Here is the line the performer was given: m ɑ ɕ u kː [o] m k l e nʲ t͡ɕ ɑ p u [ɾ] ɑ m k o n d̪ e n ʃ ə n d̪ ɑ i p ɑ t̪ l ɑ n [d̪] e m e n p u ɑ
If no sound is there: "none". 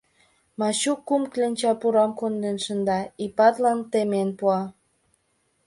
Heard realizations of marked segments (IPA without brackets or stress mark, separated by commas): u, ɾ, t̪